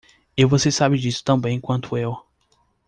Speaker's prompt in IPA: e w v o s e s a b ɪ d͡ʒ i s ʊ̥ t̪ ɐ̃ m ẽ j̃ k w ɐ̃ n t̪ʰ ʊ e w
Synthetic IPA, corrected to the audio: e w v o s e s a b ɪ d͡ʒ i s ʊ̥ t̪ ɐ̃ b ẽ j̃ k w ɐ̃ n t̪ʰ ʊ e w